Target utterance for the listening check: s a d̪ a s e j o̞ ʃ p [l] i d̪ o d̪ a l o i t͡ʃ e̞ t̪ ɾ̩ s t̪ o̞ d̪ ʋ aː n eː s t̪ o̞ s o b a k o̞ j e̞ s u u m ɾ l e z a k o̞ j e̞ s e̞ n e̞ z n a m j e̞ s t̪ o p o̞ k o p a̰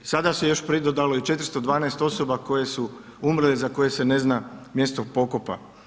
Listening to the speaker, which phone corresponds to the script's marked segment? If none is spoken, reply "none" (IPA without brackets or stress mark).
ɾ